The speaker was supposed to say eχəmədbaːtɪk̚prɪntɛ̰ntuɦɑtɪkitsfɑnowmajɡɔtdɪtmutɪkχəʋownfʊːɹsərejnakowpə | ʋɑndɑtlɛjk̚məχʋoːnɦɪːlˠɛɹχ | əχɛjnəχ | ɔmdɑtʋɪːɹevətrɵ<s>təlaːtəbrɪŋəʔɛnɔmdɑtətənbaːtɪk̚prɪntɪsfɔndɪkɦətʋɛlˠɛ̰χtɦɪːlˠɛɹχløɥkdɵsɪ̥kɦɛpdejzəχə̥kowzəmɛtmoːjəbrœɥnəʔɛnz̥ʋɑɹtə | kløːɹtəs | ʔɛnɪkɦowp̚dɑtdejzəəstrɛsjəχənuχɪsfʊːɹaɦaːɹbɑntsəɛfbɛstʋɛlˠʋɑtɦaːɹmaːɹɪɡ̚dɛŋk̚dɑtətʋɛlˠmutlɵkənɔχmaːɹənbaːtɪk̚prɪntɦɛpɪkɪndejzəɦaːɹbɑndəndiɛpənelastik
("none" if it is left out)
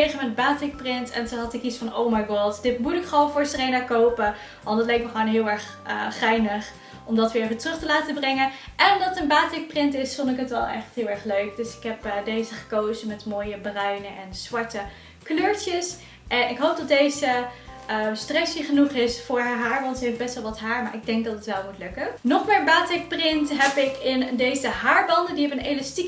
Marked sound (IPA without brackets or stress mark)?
χ